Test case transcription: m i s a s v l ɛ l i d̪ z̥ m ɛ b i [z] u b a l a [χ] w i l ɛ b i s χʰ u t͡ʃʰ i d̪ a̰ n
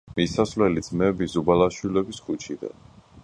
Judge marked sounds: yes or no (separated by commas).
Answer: yes, no